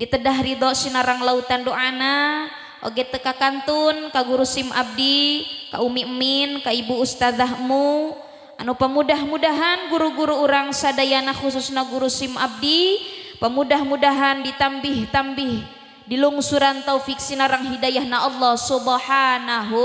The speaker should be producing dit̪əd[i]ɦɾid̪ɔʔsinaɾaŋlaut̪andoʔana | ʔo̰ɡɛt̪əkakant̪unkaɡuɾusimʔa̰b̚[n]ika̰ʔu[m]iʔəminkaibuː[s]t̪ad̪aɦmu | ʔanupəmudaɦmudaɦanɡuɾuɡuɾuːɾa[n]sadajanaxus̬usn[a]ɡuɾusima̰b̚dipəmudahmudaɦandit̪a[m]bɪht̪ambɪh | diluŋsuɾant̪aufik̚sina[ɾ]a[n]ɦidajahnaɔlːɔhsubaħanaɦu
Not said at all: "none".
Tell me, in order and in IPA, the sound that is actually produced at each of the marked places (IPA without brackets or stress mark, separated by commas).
a, d, m, s, ŋ, a, m, ɾ, ŋ